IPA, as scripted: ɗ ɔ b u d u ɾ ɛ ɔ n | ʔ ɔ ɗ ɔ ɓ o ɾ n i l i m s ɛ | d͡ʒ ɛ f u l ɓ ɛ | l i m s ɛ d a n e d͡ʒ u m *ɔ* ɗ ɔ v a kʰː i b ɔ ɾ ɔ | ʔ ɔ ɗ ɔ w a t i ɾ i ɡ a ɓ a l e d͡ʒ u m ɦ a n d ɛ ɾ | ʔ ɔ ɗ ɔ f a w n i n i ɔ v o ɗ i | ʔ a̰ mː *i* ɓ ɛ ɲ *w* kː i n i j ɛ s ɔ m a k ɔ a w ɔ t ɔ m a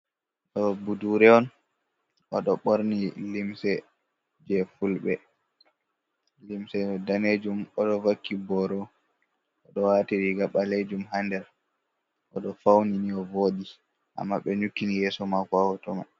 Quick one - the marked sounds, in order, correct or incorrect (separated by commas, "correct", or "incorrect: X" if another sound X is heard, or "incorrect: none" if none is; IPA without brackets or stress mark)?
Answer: correct, incorrect: a, incorrect: u